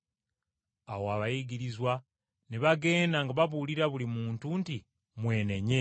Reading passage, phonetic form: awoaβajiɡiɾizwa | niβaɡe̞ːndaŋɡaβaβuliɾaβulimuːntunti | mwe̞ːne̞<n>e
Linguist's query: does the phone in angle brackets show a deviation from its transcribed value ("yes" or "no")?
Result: yes